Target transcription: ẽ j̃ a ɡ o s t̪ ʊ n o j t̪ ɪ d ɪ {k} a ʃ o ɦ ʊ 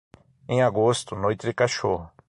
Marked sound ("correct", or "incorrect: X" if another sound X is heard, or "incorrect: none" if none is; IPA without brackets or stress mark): correct